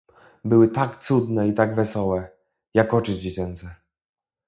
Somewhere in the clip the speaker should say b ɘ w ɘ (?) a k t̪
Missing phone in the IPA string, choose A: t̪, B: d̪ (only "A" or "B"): A